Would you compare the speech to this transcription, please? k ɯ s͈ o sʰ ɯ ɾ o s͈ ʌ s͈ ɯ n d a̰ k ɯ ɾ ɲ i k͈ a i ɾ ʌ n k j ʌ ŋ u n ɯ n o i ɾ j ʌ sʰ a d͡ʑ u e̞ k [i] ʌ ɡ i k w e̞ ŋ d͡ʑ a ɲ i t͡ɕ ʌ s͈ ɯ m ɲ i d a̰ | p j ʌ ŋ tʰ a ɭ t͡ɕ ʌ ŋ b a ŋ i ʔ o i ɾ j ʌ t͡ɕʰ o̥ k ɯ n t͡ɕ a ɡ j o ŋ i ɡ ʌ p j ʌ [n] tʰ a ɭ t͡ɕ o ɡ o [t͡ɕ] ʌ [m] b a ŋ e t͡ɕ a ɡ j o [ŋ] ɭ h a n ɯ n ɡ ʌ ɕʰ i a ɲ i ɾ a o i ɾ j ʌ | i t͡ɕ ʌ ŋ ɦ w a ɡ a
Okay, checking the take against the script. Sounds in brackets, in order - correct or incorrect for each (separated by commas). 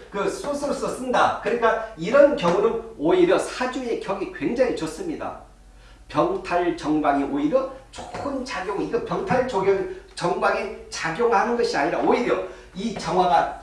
incorrect, incorrect, correct, incorrect, correct